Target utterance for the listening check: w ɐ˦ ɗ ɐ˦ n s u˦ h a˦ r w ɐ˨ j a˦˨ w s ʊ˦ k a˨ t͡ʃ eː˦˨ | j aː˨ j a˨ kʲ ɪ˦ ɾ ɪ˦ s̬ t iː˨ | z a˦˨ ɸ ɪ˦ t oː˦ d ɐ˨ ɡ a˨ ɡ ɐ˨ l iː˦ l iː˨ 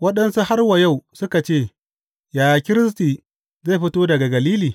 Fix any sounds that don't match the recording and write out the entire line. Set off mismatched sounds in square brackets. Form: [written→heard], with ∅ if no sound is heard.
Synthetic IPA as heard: w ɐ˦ ɗ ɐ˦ n s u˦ h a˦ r w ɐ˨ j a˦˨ w s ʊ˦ k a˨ t͡ʃ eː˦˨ | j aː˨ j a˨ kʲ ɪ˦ ɾ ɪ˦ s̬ t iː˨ | z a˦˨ ɸ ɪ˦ t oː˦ d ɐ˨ ɡ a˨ ɡ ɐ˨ l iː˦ l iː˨